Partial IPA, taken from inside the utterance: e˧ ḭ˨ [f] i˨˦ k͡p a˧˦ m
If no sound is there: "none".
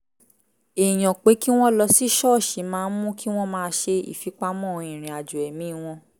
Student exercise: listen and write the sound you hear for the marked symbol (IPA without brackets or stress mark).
f